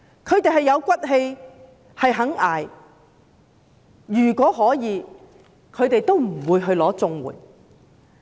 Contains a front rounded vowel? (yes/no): yes